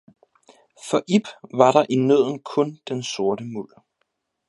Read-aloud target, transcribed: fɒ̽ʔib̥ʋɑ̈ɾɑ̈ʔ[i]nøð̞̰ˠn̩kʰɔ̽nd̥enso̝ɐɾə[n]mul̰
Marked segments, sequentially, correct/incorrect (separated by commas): correct, incorrect